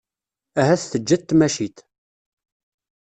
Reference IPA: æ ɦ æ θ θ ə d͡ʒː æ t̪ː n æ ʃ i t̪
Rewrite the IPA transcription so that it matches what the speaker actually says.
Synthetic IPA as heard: æ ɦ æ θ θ ə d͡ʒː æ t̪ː m æ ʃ i t̪